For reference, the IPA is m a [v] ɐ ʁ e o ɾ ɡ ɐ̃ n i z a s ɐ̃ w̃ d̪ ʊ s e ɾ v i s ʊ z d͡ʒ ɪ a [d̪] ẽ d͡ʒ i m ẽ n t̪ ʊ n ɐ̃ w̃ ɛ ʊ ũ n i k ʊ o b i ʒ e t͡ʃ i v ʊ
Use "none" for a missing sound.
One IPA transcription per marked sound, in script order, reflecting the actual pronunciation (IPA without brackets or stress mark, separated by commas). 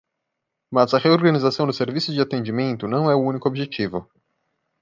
z, t̪